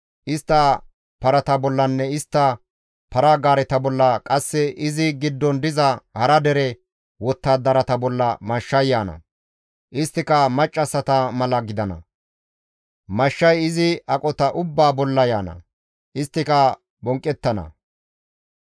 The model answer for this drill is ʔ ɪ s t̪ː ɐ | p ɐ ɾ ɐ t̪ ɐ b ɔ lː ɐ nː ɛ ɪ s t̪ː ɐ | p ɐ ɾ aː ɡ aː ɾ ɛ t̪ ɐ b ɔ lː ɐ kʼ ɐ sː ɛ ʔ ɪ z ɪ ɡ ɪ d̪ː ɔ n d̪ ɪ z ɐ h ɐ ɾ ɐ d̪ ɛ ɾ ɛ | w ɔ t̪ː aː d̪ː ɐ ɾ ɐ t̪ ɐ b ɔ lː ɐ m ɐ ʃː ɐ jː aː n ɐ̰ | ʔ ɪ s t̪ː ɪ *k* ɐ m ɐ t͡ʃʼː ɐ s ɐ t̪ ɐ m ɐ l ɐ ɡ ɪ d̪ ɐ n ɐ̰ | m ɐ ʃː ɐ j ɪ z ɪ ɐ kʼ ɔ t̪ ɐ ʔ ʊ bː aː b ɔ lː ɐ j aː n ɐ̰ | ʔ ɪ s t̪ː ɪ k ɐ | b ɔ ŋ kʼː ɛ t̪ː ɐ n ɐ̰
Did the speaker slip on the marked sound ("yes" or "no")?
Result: no